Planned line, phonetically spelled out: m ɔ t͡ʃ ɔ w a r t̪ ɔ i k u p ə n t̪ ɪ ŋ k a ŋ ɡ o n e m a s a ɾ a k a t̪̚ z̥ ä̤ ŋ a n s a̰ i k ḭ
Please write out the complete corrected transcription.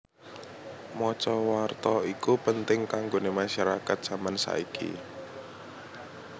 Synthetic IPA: m ɔ t͡ʃ ɔ w a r t̪ ɔ i k u p ə n t̪ ɪ ŋ k a ŋ ɡ o n e m a ʃ a ɾ a k a t̪̚ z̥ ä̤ m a n s a̰ i k ḭ